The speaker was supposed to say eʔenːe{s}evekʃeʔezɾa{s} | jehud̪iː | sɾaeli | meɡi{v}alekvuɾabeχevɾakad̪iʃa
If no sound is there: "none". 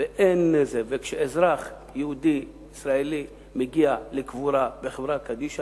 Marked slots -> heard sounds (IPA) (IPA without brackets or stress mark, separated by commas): z, χ, none